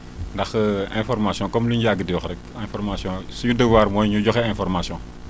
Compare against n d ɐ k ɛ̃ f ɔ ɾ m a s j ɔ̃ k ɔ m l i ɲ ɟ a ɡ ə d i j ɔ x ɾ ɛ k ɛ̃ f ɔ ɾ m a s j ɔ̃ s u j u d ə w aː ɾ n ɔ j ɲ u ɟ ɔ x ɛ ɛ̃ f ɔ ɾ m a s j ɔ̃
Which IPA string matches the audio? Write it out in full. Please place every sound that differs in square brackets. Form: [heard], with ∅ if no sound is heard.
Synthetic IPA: n d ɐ [x] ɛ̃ f ɔ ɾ m a s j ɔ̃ k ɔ m l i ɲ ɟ a ɡ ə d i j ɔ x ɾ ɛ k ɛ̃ f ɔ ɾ m a s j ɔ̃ s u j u d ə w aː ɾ [m] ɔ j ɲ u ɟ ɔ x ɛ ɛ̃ f ɔ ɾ m a s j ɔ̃